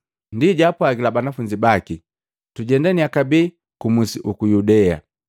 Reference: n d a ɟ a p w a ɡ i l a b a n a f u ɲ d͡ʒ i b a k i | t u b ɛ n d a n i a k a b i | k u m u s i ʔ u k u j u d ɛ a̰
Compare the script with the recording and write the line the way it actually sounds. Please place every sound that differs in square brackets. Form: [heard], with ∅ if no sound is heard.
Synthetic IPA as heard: n d [i] ɟ a p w a ɡ i l a b a n a f u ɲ d͡ʒ i b a k i | t u [ɟ] ɛ n d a n i a k a b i | k u m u s i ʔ u k u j u d ɛ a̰